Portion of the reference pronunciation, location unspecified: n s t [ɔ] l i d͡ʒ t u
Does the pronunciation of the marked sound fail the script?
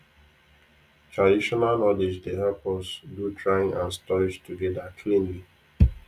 no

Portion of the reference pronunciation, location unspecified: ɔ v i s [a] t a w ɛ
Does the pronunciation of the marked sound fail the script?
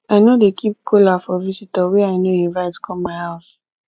yes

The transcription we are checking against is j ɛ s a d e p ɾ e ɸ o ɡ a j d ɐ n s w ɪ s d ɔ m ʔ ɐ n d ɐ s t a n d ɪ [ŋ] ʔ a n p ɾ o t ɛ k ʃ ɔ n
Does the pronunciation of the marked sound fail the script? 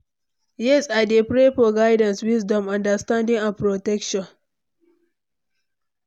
no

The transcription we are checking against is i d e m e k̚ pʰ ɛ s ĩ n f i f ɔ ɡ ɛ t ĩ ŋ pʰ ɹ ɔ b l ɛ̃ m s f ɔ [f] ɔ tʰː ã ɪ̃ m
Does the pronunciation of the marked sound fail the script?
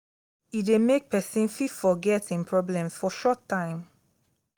yes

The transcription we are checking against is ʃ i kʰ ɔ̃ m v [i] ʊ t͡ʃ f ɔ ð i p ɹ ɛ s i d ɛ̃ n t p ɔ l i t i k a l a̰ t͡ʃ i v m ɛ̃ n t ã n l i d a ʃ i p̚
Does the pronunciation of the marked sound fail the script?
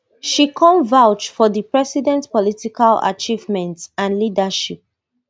yes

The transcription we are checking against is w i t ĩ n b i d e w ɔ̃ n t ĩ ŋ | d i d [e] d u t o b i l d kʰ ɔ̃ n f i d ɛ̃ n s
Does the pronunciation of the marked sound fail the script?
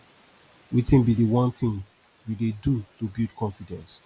no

